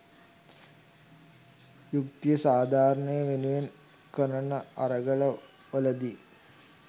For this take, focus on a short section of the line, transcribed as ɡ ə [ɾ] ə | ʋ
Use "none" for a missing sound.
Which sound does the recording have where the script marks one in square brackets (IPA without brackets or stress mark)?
l